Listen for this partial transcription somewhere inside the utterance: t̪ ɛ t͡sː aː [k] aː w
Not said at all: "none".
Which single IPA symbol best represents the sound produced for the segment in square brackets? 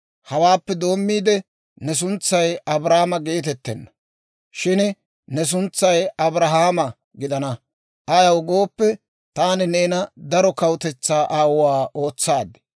ʔ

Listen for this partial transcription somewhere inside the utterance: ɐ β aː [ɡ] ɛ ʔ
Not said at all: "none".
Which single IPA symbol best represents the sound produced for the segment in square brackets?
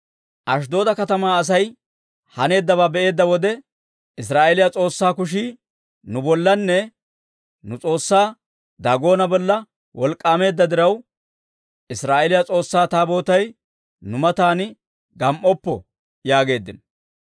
b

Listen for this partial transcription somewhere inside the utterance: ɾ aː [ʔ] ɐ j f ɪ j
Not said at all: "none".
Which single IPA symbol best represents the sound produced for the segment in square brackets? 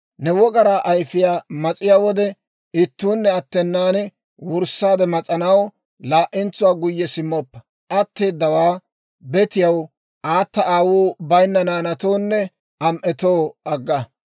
ʔ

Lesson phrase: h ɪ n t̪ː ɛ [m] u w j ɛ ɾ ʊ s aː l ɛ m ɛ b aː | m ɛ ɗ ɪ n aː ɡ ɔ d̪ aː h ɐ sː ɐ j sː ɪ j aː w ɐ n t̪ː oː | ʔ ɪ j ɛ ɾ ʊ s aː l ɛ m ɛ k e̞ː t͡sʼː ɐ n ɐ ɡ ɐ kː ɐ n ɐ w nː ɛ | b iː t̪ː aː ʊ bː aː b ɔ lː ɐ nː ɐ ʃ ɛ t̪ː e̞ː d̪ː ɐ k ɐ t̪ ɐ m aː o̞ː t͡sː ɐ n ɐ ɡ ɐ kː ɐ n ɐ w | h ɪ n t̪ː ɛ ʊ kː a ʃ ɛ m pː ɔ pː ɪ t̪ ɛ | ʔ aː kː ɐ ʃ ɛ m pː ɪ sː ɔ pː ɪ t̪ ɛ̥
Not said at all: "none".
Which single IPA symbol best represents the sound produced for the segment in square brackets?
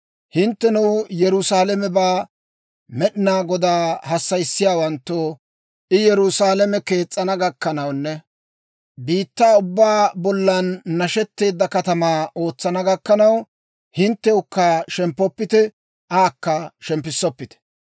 n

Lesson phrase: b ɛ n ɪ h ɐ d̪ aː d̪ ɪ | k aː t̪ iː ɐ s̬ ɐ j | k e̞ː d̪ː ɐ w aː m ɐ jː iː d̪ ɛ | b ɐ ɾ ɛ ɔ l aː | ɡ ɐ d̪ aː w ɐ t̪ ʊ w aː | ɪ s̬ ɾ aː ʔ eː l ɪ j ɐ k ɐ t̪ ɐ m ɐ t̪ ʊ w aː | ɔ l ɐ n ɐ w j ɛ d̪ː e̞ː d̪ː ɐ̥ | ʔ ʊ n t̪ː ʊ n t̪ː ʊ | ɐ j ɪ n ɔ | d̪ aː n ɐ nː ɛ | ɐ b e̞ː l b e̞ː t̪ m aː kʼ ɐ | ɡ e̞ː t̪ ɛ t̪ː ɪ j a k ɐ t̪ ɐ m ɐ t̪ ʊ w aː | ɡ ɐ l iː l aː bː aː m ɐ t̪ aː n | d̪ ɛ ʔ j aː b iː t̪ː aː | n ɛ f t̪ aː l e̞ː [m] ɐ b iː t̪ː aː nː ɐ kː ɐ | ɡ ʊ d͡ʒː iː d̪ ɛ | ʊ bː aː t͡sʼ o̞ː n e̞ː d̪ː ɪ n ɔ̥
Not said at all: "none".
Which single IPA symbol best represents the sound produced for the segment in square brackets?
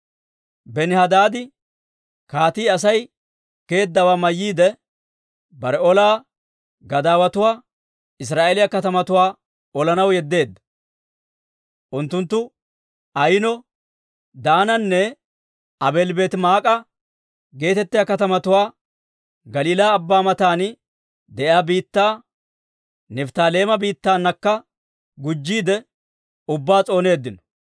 m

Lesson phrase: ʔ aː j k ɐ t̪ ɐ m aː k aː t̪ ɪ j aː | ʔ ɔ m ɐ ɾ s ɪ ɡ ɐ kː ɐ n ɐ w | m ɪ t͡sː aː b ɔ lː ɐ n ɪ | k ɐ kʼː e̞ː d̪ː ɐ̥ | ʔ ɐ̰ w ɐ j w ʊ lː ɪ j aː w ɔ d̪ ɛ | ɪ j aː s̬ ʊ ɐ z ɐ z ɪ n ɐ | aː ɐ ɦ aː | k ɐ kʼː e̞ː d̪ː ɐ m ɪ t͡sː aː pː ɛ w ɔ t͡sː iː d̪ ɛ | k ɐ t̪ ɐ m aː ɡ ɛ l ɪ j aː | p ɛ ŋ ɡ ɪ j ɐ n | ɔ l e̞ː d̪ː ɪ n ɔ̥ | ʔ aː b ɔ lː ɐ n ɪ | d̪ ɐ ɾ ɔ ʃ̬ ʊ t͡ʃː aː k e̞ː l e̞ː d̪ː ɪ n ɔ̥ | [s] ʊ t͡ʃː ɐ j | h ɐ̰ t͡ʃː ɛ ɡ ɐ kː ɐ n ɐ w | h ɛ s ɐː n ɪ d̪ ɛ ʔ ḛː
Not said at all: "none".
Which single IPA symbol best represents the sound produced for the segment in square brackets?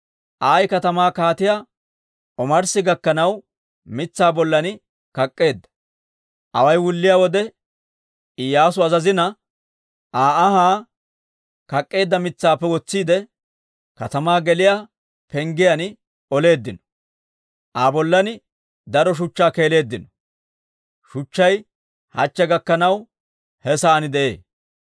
ʃ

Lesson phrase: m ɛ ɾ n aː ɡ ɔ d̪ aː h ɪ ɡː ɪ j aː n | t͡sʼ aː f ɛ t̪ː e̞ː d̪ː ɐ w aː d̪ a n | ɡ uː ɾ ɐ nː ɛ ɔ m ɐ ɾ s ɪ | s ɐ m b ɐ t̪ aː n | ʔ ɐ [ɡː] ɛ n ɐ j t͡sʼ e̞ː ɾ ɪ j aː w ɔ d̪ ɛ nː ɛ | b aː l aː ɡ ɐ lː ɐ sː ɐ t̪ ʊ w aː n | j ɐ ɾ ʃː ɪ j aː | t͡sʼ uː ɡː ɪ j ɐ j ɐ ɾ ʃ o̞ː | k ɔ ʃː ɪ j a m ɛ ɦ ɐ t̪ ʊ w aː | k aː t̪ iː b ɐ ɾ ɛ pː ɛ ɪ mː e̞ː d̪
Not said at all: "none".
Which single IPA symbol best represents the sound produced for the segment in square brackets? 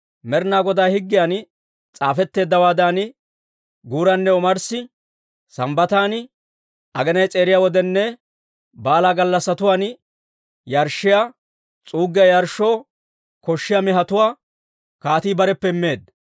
ɡ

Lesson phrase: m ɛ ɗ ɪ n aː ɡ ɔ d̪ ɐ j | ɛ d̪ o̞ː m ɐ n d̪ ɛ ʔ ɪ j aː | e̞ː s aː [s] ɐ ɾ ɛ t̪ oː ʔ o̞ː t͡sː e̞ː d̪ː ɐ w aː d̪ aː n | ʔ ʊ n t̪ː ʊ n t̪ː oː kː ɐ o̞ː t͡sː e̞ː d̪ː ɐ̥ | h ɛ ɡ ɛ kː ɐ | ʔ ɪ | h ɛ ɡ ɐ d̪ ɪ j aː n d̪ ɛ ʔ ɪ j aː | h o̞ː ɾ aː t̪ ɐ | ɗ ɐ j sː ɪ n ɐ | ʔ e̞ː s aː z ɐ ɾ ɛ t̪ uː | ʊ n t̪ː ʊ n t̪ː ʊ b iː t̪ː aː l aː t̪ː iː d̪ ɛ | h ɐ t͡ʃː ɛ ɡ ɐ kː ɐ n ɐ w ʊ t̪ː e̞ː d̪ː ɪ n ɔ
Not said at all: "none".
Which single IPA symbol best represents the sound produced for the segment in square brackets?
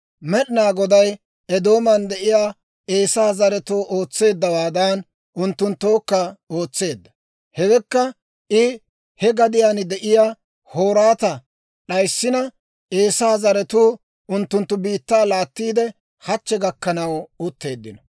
z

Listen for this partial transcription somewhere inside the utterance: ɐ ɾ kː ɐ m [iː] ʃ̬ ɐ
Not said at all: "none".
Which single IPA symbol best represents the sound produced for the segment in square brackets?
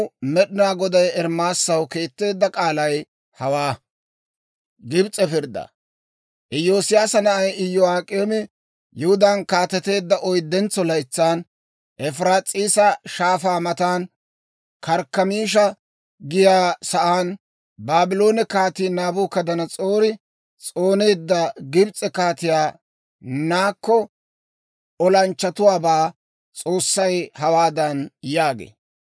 iː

